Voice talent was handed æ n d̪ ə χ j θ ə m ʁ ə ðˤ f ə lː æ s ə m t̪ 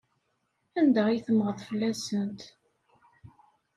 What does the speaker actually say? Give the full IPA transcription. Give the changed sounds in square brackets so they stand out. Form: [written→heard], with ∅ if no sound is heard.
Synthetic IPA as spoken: æ n d̪ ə [χ→ʁ] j θ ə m ʁ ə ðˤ f ə lː æ s ə [m→n] t̪